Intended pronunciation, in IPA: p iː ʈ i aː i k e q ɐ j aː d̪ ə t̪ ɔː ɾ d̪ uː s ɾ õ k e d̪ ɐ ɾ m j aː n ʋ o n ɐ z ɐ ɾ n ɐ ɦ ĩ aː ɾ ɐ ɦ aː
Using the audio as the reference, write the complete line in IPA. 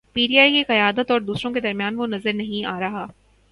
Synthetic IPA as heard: p iː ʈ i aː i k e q ɐ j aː d̪ ə t̪ ɔː ɾ d̪ uː s ɾ õ k e d̪ ɐ ɾ m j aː n ʋ o n ɐ z ə ɾ n ɐ ɦ ĩ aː ɾ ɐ ɦ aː